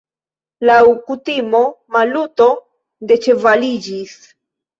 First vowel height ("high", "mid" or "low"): low